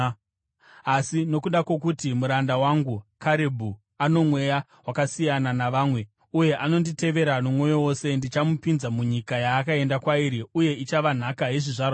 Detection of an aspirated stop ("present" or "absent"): absent